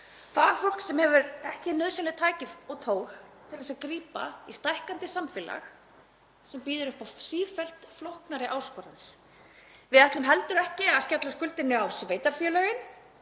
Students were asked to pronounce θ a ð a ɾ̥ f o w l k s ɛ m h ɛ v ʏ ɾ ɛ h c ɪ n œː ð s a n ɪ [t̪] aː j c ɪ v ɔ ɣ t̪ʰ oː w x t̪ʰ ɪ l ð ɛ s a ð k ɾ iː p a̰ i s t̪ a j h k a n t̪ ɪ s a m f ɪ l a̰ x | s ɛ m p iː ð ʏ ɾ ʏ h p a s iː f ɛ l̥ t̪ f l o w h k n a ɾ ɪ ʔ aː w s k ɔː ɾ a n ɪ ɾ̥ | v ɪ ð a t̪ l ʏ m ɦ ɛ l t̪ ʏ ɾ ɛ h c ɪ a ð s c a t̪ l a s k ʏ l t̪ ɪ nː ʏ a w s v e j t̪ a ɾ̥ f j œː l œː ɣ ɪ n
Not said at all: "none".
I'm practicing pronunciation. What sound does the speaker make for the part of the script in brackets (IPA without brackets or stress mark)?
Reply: t̪ʰ